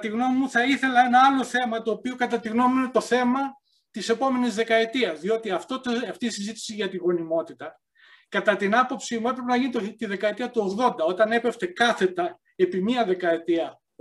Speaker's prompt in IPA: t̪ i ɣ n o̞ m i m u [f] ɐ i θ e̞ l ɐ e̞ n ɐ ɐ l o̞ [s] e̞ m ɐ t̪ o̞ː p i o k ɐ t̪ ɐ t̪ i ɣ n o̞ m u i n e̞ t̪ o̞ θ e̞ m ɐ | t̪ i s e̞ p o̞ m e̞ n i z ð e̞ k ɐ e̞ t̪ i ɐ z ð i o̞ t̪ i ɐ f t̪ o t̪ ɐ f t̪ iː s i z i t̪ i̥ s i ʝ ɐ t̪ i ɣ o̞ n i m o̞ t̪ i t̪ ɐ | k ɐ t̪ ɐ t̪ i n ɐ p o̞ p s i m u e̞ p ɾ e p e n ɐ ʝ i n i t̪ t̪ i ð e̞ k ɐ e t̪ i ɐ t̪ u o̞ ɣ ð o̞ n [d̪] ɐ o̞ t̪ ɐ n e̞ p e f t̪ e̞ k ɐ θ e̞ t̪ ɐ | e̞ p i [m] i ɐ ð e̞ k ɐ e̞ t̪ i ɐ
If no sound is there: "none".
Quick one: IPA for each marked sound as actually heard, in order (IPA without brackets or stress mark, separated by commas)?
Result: θ, θ, d̪, m